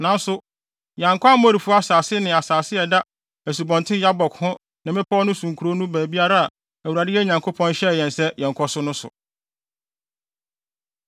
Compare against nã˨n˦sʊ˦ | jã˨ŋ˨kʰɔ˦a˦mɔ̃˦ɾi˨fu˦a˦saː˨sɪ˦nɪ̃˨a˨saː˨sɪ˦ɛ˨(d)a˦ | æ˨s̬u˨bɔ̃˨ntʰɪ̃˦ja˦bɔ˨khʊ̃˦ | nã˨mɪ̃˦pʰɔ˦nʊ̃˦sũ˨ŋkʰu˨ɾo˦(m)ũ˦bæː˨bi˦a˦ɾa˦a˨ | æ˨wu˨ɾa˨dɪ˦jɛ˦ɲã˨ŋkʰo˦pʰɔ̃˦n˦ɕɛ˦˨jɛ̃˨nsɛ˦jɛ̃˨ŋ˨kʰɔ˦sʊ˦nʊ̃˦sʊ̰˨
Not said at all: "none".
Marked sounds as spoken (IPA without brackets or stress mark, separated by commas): d, n